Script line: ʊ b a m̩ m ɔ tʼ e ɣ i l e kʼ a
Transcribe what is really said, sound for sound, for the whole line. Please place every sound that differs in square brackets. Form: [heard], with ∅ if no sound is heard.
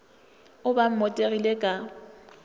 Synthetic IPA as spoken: ʊ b a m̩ m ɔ tʼ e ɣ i l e kʼ a